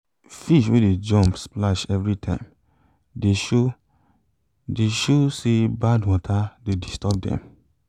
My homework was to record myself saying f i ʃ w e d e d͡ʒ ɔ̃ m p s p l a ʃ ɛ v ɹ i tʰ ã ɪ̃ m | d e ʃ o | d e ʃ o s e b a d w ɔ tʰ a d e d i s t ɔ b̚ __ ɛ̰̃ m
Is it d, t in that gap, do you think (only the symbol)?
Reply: d